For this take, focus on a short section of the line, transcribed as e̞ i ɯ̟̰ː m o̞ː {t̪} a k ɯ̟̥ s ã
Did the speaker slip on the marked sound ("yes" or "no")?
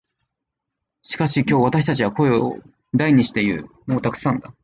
no